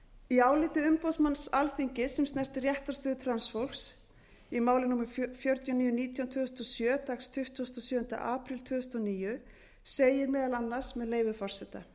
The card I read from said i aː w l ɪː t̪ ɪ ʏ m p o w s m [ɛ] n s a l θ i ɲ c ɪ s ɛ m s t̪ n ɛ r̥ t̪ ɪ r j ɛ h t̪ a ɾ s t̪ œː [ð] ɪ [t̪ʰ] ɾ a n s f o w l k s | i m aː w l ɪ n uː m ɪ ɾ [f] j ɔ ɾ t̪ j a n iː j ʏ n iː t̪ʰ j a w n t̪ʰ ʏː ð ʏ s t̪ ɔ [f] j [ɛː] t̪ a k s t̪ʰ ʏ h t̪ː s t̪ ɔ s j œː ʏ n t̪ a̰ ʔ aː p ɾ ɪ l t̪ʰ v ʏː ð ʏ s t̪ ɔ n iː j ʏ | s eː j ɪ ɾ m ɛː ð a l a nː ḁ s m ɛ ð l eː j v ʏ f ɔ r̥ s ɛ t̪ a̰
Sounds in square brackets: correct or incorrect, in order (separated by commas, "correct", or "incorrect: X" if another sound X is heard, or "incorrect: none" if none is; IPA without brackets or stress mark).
incorrect: a, correct, correct, correct, incorrect: s, incorrect: œː